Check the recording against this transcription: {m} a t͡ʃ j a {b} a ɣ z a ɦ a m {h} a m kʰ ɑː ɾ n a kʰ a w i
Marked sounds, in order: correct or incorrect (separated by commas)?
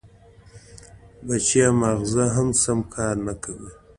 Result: incorrect, incorrect, incorrect